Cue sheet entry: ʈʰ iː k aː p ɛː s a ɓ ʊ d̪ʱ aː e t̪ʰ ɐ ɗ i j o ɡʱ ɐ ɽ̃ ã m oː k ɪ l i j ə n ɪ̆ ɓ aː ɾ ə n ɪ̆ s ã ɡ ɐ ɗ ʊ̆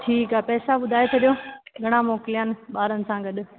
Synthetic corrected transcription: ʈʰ iː k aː p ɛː s a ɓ ʊ d̪ʱ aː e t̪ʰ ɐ ɗ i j o ɡʱ ɐ ɽ̃ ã m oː k ɪ l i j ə n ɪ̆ ɓ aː ɾ ə n ɪ̆ s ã ɡ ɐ ɗ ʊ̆